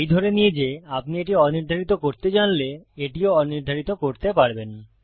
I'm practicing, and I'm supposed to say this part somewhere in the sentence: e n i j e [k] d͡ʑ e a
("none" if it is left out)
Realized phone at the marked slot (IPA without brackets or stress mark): none